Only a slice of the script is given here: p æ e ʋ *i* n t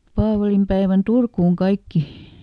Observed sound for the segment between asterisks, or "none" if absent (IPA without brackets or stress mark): æ